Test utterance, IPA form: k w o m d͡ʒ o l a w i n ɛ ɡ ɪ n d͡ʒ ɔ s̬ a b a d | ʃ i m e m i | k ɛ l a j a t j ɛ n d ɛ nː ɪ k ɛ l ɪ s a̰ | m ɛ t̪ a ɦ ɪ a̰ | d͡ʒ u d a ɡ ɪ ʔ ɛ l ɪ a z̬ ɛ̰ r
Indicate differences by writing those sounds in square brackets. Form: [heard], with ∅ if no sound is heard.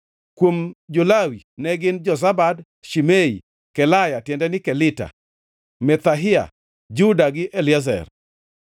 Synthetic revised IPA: k w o m d͡ʒ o l a w i n ɛ ɡ ɪ n d͡ʒ ɔ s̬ a b a d | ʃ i m e [∅] i | k ɛ l a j a t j ɛ n d ɛ [n] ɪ k ɛ l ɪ [t] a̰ | m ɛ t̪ a ɦ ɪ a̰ | d͡ʒ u d a ɡ ɪ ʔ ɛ l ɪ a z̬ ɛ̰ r